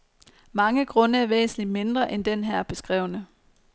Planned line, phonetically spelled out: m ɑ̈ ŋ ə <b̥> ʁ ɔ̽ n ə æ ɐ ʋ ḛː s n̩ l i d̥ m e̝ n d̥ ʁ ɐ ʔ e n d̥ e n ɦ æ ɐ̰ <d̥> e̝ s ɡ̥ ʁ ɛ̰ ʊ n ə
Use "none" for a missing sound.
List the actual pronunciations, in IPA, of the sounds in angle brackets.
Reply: ɡ̥, b̥

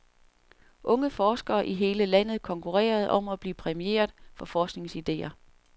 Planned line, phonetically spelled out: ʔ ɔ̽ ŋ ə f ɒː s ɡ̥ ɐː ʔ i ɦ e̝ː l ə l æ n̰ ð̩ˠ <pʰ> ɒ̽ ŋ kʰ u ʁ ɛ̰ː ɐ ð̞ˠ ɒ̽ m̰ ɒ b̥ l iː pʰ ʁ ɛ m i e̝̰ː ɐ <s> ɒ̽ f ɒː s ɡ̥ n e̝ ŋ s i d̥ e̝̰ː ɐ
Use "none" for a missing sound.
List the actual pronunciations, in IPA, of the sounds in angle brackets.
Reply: kʰ, f

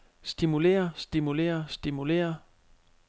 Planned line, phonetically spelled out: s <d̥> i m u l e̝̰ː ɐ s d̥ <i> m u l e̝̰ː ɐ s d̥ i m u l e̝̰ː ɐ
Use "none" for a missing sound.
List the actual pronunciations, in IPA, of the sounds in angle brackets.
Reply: d̥, i

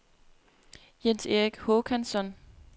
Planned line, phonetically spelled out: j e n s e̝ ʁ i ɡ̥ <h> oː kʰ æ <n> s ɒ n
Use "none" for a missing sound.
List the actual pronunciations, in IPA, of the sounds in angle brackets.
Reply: h, n

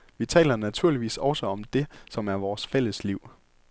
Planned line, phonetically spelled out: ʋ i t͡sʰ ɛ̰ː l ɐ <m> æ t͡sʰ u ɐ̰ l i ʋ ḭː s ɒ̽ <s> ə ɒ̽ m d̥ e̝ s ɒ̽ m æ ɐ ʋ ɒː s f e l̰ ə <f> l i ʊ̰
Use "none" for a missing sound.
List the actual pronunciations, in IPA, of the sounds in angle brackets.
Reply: n, s, s

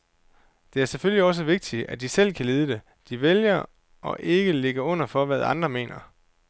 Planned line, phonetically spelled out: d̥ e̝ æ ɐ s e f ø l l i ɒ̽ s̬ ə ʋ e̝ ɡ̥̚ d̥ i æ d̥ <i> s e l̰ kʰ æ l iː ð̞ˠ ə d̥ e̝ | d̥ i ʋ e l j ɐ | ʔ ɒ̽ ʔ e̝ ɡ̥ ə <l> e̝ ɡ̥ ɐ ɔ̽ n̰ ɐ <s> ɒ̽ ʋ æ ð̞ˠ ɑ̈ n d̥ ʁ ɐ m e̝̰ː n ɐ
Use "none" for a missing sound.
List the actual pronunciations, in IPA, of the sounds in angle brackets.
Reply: i, l, f

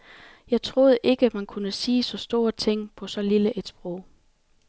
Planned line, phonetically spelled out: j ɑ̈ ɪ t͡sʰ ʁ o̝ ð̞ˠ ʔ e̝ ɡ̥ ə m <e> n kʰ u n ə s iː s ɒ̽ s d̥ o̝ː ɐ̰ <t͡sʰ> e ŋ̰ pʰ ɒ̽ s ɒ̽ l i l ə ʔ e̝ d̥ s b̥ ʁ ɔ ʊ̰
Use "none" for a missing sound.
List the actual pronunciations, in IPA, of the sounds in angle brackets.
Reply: æ, t͡sʰ

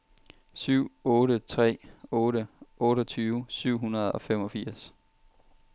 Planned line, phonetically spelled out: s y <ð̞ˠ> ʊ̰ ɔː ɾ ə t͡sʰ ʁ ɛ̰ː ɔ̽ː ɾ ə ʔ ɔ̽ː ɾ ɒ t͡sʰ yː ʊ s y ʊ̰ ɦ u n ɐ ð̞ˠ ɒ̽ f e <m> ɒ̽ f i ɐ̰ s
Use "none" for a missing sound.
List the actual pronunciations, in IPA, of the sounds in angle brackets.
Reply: none, m

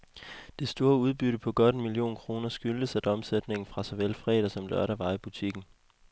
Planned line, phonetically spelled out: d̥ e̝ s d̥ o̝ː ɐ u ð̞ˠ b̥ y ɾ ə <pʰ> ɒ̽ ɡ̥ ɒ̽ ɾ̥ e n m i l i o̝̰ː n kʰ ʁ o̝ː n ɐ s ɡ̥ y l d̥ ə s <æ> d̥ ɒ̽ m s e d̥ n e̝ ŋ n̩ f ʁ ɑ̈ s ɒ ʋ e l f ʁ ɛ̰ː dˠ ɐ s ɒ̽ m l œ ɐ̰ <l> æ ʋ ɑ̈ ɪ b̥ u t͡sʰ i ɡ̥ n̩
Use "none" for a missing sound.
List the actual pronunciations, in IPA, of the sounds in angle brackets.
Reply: pʰ, æ, ɾ

